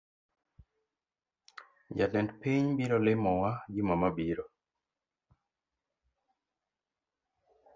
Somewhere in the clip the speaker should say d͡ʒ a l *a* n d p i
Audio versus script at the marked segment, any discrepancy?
yes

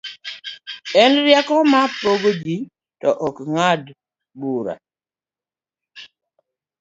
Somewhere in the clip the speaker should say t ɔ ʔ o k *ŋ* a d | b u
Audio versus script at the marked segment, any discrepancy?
no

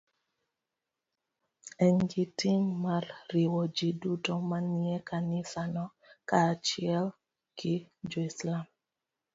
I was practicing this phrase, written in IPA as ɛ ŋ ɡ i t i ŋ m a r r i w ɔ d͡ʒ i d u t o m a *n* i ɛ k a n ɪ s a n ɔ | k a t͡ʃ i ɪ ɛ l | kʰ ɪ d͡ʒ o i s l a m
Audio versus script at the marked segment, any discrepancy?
no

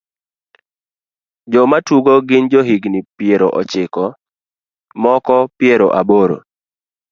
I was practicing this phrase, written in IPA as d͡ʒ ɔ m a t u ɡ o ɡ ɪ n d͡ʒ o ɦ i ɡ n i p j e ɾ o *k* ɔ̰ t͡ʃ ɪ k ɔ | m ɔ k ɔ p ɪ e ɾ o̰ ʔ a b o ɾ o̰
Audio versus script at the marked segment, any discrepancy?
yes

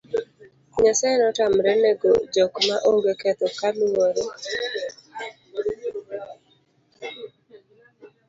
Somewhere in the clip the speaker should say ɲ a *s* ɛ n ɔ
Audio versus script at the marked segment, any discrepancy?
no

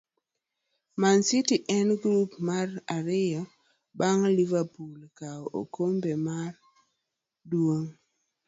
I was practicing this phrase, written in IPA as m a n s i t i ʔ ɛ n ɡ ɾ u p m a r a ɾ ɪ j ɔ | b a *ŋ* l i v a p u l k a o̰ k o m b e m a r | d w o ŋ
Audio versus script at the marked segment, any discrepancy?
no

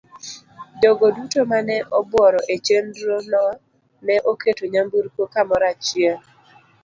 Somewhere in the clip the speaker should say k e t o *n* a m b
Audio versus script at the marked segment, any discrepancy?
yes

